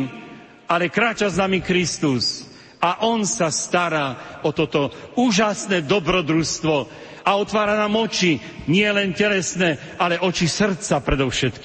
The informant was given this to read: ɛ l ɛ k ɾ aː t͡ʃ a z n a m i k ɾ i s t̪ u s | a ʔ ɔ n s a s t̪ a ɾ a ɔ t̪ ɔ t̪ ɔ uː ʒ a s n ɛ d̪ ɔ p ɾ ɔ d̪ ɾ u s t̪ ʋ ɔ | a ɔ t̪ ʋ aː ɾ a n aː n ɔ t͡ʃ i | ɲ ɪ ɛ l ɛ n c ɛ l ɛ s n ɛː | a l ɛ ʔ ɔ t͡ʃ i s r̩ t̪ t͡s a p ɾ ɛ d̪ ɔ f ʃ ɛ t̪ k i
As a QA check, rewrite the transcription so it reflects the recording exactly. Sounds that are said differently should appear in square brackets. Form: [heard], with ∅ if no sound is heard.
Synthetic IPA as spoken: [a] l ɛ k ɾ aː t͡ʃ a z n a m i k ɾ i s t̪ u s | a ʔ ɔ n s a s t̪ a ɾ a ɔ t̪ ɔ t̪ ɔ uː ʒ a s n ɛ d̪ ɔ [b] ɾ ɔ d̪ ɾ u s t̪ ʋ ɔ | a ɔ t̪ ʋ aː ɾ a n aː [m] ɔ t͡ʃ i | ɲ ɪ ɛ l ɛ n c ɛ l ɛ s n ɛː | a l ɛ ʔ ɔ t͡ʃ i s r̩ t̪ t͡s a p ɾ ɛ d̪ ɔ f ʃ ɛ t̪ k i